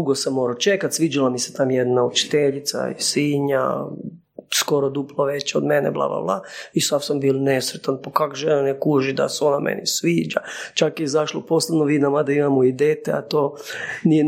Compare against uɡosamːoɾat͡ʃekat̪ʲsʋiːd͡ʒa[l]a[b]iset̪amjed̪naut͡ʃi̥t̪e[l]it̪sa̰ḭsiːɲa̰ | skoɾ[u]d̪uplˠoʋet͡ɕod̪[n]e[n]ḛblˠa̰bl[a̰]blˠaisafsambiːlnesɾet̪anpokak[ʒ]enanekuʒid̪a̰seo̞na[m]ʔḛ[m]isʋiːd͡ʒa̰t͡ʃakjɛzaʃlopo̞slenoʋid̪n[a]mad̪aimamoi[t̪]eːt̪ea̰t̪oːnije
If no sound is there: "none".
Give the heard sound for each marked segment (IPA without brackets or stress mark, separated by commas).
l, m, ʎ, o, m, n, a̰, ʒ, m, n, a, d̪